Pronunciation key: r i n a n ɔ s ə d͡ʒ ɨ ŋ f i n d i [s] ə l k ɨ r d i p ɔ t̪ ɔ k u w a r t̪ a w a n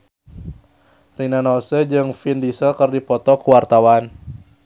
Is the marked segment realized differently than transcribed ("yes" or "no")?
no